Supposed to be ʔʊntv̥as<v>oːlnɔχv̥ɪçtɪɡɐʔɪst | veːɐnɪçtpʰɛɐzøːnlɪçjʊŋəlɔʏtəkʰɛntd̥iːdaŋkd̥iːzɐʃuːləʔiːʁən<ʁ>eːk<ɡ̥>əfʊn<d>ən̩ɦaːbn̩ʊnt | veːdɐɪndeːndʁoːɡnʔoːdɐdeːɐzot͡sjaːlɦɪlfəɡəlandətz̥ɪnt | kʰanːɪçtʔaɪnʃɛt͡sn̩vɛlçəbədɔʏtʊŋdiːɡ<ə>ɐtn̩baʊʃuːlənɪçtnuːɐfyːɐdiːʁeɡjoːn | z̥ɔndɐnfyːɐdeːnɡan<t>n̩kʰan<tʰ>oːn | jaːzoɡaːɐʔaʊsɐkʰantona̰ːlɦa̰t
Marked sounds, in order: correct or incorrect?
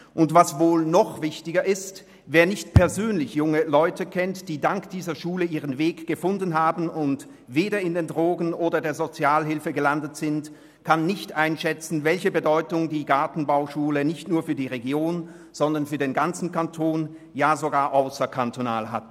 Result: correct, incorrect: v, correct, correct, incorrect: a, incorrect: t͡s, correct

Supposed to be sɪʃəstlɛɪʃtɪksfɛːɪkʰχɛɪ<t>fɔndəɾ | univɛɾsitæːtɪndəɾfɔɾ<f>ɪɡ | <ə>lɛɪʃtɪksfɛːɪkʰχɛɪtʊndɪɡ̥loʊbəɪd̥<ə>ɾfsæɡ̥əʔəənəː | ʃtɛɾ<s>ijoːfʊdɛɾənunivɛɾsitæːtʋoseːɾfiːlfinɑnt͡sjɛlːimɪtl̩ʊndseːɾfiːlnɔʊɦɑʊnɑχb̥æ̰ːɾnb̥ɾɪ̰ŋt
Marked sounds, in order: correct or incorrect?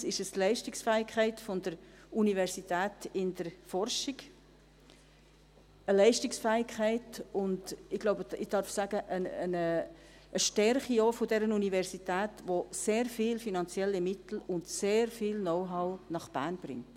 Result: correct, incorrect: ʃ, correct, incorrect: ɑ, incorrect: χ

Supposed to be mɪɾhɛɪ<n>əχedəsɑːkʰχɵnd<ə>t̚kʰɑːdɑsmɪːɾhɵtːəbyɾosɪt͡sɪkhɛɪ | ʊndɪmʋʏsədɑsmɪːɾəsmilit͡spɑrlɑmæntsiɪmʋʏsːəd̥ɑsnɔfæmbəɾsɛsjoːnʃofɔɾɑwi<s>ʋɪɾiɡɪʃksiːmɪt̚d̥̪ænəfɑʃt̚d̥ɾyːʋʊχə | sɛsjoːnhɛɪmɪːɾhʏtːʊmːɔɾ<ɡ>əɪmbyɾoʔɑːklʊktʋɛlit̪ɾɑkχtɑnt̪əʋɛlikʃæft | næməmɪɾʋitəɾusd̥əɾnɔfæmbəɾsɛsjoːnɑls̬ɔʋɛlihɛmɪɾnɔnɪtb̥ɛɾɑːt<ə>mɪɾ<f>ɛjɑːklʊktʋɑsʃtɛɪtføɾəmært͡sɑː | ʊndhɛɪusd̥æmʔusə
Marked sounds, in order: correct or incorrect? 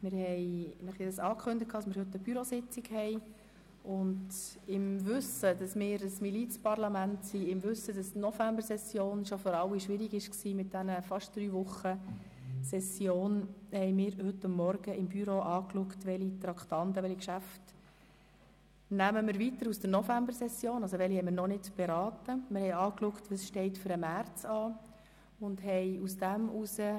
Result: correct, correct, incorrect: ʃ, correct, correct, incorrect: h

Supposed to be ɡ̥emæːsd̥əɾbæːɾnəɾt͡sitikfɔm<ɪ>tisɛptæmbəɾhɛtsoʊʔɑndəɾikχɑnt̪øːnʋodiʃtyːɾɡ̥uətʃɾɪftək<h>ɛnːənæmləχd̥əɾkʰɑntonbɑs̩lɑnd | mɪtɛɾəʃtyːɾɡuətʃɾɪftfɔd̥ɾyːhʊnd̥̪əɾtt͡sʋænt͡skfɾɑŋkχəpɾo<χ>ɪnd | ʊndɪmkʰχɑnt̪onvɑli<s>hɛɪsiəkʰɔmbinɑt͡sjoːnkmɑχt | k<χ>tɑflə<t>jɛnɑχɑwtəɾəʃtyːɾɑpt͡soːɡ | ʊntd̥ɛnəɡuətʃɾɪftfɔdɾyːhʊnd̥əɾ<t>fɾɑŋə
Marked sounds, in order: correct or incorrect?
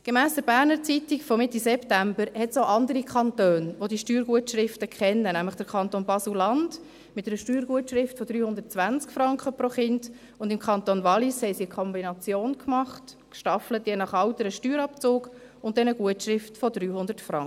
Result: correct, incorrect: χ, correct, correct, incorrect: ʃ, correct, correct

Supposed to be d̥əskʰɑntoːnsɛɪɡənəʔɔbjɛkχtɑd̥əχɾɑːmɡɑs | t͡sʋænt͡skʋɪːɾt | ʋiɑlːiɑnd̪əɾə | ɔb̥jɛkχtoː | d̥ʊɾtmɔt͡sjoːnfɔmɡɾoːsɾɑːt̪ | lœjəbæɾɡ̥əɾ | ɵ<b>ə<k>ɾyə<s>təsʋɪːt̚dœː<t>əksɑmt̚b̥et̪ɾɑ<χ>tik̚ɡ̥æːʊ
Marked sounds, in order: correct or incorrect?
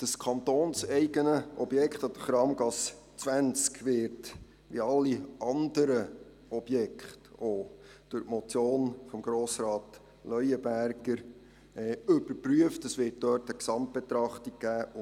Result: correct, incorrect: p, incorrect: f, correct, correct

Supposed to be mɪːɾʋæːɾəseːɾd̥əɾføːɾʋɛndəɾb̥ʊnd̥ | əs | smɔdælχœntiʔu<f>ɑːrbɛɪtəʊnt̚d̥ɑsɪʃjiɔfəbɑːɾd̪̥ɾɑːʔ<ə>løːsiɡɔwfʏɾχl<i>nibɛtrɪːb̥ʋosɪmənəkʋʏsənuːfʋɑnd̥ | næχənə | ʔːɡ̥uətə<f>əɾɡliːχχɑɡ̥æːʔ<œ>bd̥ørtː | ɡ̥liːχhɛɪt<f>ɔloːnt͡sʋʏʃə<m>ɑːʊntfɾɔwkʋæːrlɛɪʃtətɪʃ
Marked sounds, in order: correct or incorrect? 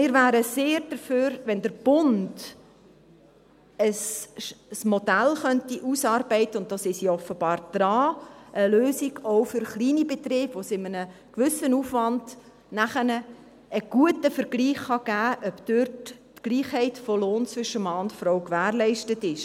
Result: incorrect: s, correct, incorrect: iː, correct, correct, correct, correct

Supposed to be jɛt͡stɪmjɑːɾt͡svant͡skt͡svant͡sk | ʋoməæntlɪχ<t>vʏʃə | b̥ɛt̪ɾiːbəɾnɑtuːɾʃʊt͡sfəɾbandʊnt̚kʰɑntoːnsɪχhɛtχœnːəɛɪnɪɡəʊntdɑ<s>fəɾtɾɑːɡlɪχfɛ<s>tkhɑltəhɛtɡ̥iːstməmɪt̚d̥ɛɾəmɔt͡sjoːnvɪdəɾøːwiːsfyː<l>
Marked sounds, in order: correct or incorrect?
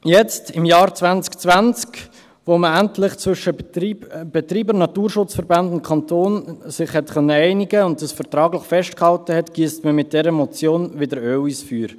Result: incorrect: t͡s, correct, incorrect: ʃ, incorrect: ɾ

